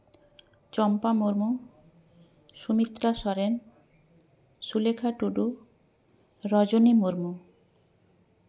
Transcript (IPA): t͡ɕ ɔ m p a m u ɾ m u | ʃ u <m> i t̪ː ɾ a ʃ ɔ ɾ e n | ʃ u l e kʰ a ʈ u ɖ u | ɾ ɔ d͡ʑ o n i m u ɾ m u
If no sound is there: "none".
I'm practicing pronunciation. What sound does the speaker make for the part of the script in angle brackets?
m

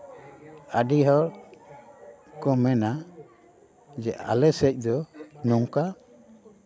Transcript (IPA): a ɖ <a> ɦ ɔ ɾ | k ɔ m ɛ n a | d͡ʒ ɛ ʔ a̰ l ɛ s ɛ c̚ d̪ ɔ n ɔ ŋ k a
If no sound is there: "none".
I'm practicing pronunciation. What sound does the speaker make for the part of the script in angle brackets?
i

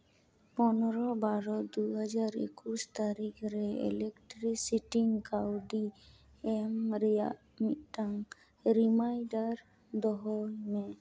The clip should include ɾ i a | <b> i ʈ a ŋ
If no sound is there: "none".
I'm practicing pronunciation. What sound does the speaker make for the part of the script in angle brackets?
m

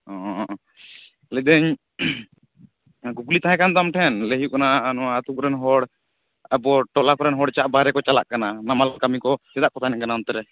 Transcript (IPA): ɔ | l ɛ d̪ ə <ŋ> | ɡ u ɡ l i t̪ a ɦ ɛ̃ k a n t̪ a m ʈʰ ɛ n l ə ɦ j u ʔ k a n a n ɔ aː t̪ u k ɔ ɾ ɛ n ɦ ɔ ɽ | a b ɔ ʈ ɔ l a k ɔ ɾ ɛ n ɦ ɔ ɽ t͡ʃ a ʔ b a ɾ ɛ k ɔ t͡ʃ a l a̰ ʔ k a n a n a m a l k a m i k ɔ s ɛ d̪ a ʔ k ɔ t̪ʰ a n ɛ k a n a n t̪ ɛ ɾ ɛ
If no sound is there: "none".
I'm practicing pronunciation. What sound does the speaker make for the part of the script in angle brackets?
ɲ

